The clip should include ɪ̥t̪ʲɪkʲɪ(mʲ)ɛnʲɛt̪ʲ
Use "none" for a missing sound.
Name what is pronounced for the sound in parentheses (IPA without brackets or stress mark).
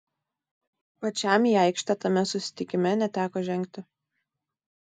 mʲ